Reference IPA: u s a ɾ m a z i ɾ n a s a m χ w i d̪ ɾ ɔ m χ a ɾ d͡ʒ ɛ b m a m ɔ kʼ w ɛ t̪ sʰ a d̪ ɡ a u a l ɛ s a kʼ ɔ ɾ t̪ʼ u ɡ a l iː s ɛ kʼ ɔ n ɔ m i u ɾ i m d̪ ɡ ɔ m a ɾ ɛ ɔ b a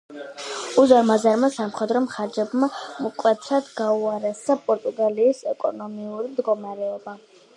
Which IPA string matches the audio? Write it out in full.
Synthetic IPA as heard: u z a ɾ m a z a ɾ m a s a m χ w ɛ d̪ ɾ ɔ m χ a ɾ d͡ʒ ɛ b m a m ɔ kʼ w ɛ t̪ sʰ a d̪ ɡ a u a ɾ ɛ s a pʼ ɔ ɾ t̪ʼ u ɡ a l iː s ɛ kʼ ɔ n ɔ m i u ɾ i m d̪ ɡ ɔ m a ɾ ɛ ɔ b a

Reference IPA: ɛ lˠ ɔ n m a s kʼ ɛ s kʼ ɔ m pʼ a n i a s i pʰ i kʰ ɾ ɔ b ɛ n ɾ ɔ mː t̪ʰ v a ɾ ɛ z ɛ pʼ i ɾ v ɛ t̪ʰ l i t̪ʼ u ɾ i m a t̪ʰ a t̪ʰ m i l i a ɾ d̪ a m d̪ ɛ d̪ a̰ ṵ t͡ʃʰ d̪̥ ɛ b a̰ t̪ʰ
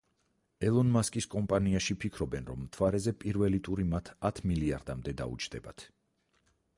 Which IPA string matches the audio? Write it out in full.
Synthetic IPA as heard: ɛ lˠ ɔ n m a s kʼ i s kʼ ɔ m pʼ a n i a ʃ i pʰ i kʰ ɾ ɔ b ɛ n ɾ ɔ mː t̪ʰ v a ɾ ɛ z ɛ pʼ i ɾ v ɛ l i t̪ʼ u ɾ i m a t̪ʰ a t̪ʰ m i l i a ɾ d̪ a m d̪ ɛ d̪ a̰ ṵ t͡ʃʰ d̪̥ ɛ b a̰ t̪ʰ

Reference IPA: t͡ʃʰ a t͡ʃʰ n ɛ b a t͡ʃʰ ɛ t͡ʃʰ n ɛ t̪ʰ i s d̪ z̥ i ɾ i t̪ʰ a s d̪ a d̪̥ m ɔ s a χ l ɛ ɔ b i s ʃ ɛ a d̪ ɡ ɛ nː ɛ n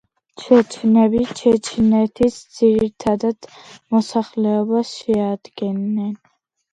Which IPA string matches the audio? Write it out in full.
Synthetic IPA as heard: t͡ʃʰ ɛ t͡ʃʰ n ɛ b i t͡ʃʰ ɛ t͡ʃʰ n ɛ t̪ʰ i s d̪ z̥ i ɾ i t̪ʰ a d̪ a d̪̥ m ɔ s a χ l ɛ ɔ b a s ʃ ɛ a d̪ ɡ ɛ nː ɛ n

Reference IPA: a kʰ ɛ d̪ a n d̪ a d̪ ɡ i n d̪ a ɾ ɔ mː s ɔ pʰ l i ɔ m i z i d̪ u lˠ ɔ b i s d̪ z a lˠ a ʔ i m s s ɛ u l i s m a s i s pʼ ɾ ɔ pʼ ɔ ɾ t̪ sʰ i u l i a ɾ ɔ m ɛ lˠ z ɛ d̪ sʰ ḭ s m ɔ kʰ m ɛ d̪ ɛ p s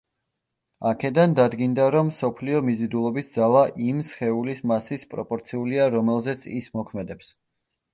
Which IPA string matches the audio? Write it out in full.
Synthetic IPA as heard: a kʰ ɛ d̪ a n d̪ a d̪ ɡ i n d̪ a ɾ ɔ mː s ɔ pʰ l i ɔ m i z i d̪ u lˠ ɔ b i s d̪ z a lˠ a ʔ i m s χ ɛ u l i s m a s i s pʼ ɾ ɔ pʼ ɔ ɾ t̪ sʰ i u l i a ɾ ɔ m ɛ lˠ z ɛ t̪ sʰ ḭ s m ɔ kʰ m ɛ d̪ ɛ p s

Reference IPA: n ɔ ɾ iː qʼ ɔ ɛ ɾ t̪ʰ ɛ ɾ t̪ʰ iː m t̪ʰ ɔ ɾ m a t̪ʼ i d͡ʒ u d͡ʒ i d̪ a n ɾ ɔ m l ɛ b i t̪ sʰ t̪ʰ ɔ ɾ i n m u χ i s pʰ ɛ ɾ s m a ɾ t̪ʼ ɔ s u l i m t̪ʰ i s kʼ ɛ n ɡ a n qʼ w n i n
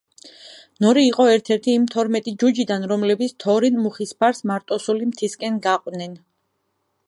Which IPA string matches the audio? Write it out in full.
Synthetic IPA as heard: n ɔ ɾ iː qʼ ɔ ɛ ɾ t̪ʰ ɛ ɾ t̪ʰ iː m t̪ʰ ɔ ɾ m ɛ t̪ʼ i d͡ʒ u d͡ʒ i d̪ a n ɾ ɔ m l ɛ b i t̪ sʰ t̪ʰ ɔ ɾ i n m u χ i s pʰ a ɾ s m a ɾ t̪ʼ ɔ s u l i m t̪ʰ i s kʼ ɛ n ɡ a qʼ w n ɛ n

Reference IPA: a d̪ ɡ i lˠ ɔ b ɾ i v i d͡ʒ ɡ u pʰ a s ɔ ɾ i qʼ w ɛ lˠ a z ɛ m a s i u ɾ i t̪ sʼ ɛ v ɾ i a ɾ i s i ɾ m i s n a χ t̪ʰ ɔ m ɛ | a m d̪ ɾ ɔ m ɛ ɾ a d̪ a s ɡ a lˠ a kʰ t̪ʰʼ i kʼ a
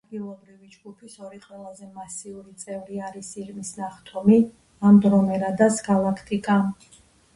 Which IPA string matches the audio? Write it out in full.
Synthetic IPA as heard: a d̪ ɡ i lˠ ɔ b ɾ i v i d͡ʒ ɡ u pʰ i s ɔ ɾ i qʼ w ɛ lˠ a z ɛ m a s i u ɾ i t̪ sʼ ɛ v ɾ i a ɾ i s i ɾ m i s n a χ t̪ʰ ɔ m i | a m d̪ ɾ ɔ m ɛ ɾ a d̪ a s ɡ a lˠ a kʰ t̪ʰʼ i kʼ a

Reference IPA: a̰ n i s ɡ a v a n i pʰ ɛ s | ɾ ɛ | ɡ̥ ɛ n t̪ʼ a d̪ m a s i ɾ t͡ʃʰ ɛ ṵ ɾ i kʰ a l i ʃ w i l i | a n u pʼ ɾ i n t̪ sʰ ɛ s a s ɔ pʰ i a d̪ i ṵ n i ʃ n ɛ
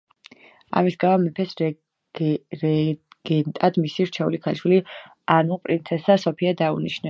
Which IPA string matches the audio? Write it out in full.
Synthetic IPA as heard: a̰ m i s ɡ a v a m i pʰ ɛ s | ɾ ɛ | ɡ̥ ɛ n t̪ʼ a d̪ m i s i ɾ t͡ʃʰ ɛ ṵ l i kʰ a l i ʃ w i l i | a n u pʼ ɾ i n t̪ sʰ ɛ s a s ɔ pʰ i a d̪ a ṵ n i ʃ n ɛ

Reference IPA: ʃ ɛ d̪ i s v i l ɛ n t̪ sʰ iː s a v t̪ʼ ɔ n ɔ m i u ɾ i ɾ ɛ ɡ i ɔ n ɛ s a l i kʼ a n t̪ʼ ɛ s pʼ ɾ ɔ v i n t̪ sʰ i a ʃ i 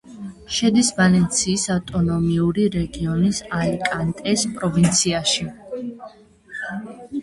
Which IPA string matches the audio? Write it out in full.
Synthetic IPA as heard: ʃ ɛ d̪ i s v a l ɛ n t̪ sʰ iː s a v t̪ʼ ɔ n ɔ m i u ɾ i ɾ ɛ ɡ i ɔ n i s a l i kʼ a n t̪ʼ ɛ s pʼ ɾ ɔ v i n t̪ sʰ i a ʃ i

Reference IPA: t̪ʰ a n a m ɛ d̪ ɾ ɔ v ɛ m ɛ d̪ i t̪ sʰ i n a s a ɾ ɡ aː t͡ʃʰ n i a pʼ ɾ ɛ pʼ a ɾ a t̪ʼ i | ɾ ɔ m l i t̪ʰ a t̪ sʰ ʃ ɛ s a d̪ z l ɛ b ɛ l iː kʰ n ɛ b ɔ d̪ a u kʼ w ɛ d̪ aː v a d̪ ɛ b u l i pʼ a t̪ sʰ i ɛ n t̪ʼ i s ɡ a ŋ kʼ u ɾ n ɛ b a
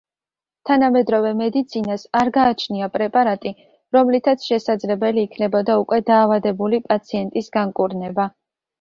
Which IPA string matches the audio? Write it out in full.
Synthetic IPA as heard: t̪ʰ a n a m ɛ d̪ ɾ ɔ v ɛ m ɛ d̪ i t̪ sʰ i n a s a ɾ ɡ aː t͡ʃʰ n i a pʼ ɾ ɛ pʼ a ɾ a t̪ʼ i | ɾ ɔ m l i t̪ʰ a t̪ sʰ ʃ ɛ s a d̪ z l ɛ b ɛ l iː kʰ n ɛ b ɔ d̪ a u kʼ w ɛ d̪ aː v a d̪ ɛ b u l i pʼ a t̪ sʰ i ɛ n t̪ʼ i s ɡ a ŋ kʼ u ɾ n ɛ b a

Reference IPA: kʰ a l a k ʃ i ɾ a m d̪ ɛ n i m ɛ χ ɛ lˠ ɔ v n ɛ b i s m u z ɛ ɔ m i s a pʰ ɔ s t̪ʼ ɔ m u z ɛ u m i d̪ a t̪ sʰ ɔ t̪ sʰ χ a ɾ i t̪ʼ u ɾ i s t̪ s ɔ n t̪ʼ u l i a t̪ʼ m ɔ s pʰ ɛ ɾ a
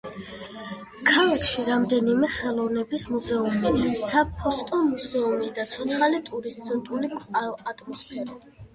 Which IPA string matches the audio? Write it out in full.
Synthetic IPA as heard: kʰ a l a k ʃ i ɾ a m d̪ ɛ n i m ɛ χ ɛ lˠ ɔ v n ɛ b i s m u z ɛ u m i s a pʰ ɔ s t̪ʼ ɔ m u z ɛ u m i d̪ a t̪ sʰ ɔ t̪ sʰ χ a l i t̪ʼ u ɾ i s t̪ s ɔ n t̪ʼ u l i a t̪ʼ m ɔ s pʰ ɛ ɾ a

